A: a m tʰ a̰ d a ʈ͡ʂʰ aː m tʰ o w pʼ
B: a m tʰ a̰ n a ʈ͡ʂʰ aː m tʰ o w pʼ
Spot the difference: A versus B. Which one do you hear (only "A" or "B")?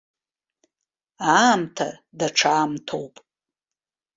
A